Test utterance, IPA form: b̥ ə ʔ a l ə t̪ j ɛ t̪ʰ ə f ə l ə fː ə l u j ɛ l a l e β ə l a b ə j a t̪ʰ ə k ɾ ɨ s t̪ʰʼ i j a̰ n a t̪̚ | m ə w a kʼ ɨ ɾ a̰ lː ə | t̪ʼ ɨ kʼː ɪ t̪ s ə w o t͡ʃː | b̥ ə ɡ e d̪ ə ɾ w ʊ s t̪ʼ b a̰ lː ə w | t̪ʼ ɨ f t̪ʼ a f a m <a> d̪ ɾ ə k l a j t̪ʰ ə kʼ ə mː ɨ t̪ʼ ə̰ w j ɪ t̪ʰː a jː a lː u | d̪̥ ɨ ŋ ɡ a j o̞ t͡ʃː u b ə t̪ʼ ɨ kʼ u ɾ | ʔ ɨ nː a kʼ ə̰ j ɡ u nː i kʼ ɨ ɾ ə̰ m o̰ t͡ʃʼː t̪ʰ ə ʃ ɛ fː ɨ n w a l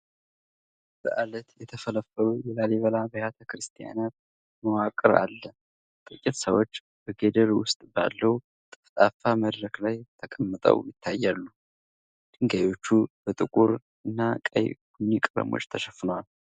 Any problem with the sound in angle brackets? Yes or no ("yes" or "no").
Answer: yes